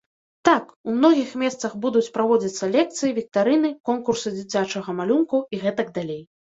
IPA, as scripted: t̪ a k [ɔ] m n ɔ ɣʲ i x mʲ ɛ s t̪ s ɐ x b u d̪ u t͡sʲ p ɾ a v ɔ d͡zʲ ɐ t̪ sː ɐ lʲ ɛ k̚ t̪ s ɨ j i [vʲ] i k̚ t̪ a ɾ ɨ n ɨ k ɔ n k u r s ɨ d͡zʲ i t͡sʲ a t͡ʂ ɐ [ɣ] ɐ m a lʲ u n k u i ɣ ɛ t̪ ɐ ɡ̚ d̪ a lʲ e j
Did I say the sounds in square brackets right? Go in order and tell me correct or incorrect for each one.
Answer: incorrect, correct, correct

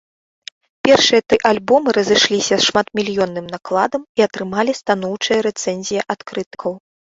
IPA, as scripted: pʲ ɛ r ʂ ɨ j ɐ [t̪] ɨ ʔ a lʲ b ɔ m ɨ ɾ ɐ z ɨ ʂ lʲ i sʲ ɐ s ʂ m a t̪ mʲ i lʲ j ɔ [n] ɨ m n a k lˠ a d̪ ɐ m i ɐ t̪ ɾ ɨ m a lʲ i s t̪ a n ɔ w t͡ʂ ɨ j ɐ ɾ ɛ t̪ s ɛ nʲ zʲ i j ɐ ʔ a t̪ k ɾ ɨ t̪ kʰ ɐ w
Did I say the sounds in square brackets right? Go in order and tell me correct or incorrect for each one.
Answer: correct, incorrect

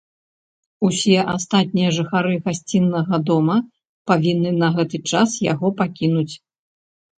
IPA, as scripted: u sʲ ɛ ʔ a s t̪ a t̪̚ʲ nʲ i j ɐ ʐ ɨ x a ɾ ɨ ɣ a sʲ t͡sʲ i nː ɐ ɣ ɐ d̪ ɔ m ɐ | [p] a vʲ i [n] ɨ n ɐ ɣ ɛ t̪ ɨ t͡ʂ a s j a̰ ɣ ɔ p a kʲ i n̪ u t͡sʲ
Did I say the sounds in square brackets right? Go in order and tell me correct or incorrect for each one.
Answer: correct, incorrect

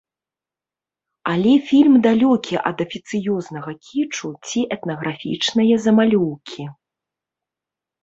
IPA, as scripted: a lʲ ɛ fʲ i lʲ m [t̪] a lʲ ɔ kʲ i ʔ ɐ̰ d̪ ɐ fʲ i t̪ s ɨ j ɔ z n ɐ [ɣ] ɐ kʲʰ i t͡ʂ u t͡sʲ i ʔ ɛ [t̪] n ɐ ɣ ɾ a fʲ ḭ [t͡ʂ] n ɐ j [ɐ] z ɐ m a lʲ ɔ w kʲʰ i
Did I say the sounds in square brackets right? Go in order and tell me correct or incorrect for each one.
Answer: incorrect, correct, correct, correct, correct

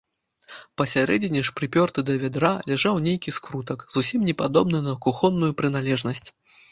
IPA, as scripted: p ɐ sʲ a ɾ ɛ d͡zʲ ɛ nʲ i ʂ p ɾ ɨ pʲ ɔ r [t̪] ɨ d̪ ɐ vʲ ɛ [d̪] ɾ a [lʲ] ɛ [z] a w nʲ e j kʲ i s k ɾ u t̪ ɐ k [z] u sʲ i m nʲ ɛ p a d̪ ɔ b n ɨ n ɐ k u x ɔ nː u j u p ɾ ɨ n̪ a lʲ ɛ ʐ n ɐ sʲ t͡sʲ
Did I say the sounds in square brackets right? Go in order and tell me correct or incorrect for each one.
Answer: correct, correct, correct, incorrect, correct

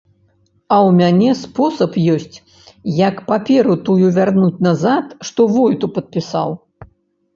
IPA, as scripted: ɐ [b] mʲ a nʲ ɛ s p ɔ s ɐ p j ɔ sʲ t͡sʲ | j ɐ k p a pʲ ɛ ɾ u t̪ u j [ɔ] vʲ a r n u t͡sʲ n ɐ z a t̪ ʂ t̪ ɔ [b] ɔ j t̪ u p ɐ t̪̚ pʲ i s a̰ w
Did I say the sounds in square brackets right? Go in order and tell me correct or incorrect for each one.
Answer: incorrect, incorrect, incorrect

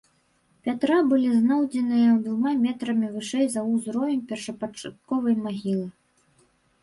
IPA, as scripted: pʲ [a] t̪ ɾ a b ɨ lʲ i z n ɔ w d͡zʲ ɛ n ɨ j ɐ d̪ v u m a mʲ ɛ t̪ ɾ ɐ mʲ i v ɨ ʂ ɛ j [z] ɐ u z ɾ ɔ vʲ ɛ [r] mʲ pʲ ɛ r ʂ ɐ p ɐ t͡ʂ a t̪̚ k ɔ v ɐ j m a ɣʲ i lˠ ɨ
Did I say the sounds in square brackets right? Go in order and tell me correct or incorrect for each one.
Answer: correct, correct, incorrect

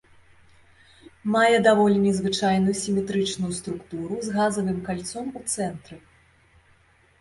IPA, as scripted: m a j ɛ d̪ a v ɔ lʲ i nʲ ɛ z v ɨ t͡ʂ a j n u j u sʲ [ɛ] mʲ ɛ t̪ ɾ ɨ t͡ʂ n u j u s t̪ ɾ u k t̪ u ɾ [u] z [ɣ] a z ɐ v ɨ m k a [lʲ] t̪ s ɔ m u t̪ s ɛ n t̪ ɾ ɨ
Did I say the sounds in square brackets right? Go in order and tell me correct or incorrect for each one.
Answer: incorrect, correct, correct, correct

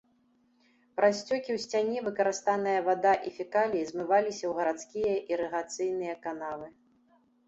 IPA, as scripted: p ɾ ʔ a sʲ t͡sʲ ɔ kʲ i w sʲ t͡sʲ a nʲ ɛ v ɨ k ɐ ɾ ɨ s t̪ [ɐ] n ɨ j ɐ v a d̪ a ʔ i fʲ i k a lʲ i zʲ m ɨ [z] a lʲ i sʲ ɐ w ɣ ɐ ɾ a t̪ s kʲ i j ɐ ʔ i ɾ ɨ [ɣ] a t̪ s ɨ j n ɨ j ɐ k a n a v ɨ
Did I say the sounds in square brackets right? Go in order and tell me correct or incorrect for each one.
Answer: incorrect, incorrect, correct

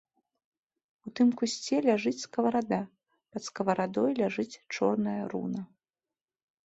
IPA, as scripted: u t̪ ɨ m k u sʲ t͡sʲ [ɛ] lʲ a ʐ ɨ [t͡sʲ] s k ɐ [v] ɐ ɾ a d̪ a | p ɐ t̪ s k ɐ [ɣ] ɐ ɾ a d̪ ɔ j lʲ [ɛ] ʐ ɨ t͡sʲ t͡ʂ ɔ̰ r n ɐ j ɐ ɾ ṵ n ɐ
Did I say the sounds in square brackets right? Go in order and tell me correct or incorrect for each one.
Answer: correct, correct, correct, incorrect, incorrect

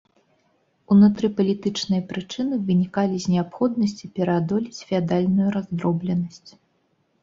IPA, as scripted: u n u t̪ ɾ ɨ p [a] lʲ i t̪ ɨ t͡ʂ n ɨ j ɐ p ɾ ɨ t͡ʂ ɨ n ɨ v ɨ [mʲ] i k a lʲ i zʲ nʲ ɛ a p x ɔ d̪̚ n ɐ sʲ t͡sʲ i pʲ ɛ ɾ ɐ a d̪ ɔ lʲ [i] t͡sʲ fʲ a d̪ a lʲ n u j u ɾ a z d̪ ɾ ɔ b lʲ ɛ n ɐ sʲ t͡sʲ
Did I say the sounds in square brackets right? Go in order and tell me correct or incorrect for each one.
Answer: incorrect, incorrect, correct

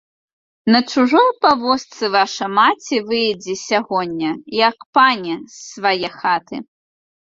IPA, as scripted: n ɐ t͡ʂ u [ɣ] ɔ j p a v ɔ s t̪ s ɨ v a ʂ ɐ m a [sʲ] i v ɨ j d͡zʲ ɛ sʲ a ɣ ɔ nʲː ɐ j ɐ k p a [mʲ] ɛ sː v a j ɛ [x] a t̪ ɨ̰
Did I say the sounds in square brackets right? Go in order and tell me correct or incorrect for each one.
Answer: incorrect, incorrect, incorrect, correct

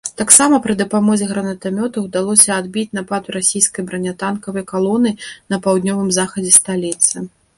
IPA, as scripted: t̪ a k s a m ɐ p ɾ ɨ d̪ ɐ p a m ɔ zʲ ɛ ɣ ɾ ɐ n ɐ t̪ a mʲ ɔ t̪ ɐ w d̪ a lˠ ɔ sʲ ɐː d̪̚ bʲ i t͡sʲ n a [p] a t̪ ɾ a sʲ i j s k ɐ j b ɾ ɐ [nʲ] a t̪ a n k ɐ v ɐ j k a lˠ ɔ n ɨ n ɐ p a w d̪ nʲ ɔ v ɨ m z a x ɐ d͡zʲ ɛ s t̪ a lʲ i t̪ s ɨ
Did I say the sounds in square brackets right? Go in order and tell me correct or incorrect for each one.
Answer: correct, correct

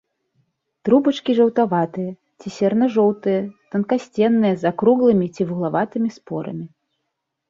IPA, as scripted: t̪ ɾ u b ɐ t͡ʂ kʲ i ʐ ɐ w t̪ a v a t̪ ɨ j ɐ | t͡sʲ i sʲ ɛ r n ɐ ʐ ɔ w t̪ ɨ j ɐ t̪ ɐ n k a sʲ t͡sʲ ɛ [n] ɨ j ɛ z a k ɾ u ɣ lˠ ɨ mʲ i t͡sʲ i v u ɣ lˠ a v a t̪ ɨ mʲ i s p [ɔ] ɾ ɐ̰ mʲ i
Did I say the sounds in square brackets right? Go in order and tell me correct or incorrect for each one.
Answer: incorrect, correct

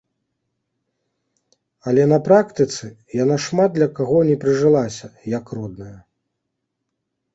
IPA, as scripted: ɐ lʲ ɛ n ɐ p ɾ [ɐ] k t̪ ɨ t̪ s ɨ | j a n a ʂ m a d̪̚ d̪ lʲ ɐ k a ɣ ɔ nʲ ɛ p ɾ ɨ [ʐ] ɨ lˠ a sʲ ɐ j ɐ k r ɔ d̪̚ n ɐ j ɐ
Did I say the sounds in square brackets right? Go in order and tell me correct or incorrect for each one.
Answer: incorrect, correct

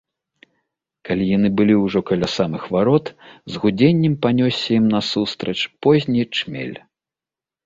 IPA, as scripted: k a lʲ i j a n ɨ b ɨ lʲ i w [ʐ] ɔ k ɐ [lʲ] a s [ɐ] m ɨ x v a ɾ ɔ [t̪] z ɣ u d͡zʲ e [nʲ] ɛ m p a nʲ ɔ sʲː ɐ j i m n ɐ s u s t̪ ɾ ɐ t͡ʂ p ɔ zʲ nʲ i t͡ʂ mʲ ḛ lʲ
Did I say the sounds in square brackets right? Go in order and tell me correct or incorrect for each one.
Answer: correct, correct, incorrect, correct, incorrect

